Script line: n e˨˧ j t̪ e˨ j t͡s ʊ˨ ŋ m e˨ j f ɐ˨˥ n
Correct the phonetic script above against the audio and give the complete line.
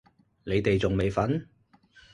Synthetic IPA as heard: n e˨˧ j t̪ e˨ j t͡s ʊ˨ ŋ m e˨ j f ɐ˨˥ n